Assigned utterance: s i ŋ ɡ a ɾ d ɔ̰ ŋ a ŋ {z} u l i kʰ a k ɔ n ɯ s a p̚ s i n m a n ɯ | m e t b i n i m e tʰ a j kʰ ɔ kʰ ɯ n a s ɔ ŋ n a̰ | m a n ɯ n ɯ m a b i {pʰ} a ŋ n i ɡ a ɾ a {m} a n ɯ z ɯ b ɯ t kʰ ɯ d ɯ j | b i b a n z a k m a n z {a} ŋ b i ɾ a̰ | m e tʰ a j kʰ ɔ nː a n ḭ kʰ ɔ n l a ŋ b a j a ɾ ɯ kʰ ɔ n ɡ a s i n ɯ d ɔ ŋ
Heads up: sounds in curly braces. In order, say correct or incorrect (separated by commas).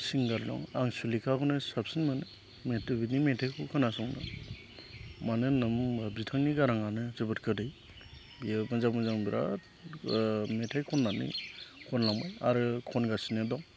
incorrect, incorrect, incorrect, correct